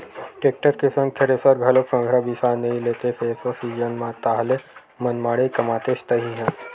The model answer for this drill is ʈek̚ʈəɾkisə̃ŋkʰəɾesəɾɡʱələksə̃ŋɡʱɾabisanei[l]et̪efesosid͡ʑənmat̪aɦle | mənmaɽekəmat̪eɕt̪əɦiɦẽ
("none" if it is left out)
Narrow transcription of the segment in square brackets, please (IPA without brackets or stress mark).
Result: l